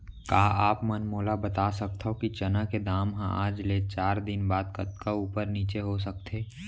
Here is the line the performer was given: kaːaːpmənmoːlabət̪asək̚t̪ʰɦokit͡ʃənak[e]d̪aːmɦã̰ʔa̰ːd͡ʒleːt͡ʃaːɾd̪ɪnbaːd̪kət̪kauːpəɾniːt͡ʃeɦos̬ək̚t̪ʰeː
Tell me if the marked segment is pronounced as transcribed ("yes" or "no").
yes